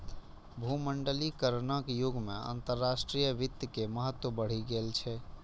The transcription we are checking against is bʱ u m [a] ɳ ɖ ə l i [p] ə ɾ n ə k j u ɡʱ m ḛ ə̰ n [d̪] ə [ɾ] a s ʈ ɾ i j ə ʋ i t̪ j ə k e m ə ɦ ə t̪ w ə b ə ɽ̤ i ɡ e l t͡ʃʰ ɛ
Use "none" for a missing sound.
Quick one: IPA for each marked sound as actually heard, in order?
ə, k, t̪, ɾː

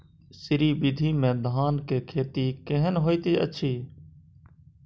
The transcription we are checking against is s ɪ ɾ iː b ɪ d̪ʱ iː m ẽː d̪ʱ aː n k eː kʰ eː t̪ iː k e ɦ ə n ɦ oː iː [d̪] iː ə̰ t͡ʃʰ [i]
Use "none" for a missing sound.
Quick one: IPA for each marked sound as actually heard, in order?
t̪, iː

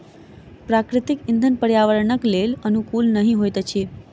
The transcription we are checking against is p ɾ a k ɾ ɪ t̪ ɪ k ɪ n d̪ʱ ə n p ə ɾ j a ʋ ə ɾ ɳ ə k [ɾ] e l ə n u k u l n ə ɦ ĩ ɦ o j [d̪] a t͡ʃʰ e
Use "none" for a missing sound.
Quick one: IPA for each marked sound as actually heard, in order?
l, t̪

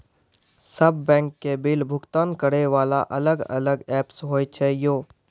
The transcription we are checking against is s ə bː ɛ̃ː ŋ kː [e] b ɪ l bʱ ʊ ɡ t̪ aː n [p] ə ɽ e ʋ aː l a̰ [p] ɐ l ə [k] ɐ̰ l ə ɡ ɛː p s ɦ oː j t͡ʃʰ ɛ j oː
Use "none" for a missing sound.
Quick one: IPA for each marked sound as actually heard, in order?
e, k, ʔ, ɡ

